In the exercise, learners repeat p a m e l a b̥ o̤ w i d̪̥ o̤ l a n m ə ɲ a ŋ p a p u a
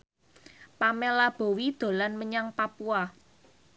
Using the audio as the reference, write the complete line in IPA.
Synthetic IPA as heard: p a m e l a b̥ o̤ w i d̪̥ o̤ l a n m ə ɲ a ŋ p a p u a